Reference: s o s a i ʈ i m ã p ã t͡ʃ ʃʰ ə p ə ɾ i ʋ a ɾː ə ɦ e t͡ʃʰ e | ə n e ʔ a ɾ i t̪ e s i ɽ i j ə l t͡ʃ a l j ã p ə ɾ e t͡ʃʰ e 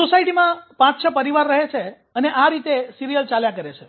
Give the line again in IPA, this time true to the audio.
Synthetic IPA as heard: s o s a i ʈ i m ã p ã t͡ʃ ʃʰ ə p ə ɾ i ʋ a ɾː ə ɦ e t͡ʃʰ e | ə n e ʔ a ɾ i t̪ e s i ɾ i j ə l t͡ʃ a l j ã k ə ɾ e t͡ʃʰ e